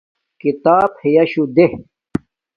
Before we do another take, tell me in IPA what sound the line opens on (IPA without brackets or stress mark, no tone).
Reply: k